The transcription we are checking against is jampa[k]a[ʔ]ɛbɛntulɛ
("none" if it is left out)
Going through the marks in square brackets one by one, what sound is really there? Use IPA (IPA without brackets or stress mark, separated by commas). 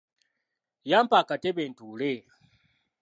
k, t